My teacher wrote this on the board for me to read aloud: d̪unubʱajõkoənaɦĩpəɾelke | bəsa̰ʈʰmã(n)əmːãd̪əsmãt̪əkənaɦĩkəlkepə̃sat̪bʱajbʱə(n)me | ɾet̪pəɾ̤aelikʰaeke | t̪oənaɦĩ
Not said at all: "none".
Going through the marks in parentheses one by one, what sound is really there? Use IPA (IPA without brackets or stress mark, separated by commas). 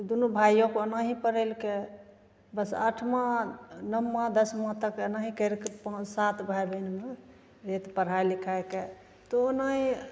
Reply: n, n